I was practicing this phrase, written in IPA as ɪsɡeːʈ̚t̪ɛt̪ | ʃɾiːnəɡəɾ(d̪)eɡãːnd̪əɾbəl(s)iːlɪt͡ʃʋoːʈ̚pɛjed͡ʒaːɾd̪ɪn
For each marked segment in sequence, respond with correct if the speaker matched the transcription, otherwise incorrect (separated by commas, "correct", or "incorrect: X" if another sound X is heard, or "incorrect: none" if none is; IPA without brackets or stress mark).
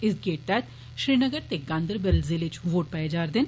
incorrect: t̪, incorrect: z